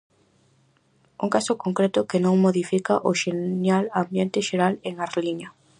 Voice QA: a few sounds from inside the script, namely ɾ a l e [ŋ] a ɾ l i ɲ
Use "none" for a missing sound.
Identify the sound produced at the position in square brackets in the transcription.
ŋ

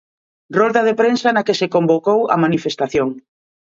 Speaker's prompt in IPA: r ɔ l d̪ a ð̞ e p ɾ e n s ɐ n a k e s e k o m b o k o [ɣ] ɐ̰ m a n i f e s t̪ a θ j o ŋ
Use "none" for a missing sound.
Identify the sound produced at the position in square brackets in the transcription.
w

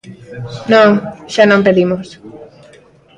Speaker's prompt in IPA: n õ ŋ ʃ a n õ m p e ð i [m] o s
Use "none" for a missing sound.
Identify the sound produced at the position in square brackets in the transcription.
m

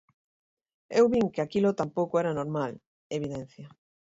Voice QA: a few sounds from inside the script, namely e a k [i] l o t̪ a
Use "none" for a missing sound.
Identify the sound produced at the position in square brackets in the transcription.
i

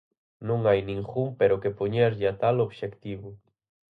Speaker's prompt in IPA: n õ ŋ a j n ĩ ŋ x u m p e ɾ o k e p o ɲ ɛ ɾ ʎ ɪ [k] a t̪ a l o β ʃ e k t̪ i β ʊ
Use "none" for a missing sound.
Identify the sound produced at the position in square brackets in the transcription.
none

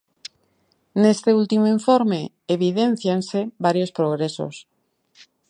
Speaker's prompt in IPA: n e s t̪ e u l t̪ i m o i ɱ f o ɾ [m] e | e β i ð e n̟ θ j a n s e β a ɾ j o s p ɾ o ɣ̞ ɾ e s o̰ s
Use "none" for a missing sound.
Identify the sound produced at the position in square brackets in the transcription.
m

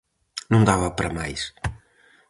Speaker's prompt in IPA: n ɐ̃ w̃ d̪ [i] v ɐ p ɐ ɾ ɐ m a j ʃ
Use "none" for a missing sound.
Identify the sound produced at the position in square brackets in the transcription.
a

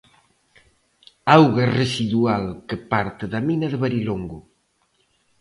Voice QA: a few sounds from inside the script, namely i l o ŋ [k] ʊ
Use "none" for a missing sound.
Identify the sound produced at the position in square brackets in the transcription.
ɡ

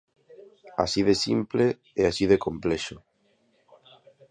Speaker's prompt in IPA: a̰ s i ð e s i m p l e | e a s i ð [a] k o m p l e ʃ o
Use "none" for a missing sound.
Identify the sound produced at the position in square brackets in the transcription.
e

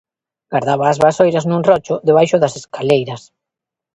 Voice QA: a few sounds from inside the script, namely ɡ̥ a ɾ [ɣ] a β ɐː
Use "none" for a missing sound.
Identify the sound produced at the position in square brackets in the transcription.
ð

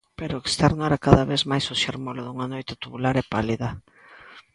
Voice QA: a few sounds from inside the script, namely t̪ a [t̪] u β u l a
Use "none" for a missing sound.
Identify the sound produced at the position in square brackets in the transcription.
t̪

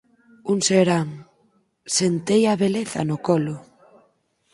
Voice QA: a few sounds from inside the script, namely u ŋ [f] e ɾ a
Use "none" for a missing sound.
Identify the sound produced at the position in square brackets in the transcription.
s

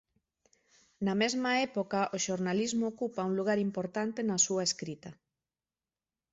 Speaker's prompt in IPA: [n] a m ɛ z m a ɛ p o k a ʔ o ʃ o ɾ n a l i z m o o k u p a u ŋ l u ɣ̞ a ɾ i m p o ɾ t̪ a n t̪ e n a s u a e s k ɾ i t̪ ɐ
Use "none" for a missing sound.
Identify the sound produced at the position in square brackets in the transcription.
n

